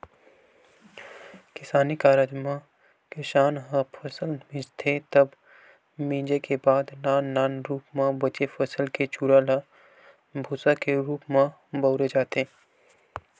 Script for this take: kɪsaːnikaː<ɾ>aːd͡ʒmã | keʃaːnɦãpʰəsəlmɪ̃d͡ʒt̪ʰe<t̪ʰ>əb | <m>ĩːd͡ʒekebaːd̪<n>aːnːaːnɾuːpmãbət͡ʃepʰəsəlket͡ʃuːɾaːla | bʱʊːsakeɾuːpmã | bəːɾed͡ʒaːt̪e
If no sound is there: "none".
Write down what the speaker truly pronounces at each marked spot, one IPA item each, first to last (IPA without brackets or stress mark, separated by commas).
ɾ, t̪, m, n